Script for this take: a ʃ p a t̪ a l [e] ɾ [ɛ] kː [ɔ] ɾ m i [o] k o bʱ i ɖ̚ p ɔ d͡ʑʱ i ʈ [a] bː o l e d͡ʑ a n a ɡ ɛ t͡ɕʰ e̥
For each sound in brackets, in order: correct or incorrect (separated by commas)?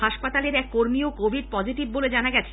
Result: correct, correct, incorrect, correct, incorrect